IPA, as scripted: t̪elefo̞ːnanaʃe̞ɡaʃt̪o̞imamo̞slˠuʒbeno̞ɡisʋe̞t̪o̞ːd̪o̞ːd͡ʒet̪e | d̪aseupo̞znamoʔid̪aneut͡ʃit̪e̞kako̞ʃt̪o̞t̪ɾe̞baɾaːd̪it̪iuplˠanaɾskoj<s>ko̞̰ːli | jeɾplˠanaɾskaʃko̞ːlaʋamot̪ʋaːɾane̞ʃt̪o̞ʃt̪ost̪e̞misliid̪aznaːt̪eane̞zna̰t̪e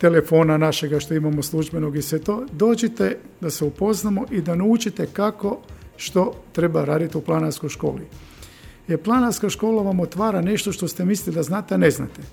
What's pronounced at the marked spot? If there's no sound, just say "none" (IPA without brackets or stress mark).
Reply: ʃ